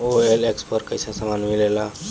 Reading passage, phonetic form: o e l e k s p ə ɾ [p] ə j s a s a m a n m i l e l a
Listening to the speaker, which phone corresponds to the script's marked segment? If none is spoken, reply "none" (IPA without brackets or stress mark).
k